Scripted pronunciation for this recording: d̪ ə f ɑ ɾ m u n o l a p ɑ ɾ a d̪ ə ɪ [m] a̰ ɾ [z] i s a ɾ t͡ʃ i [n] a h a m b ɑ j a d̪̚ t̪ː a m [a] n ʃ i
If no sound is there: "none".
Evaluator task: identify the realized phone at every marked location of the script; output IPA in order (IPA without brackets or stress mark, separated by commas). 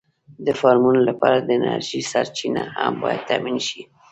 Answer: n, ʒ, n, i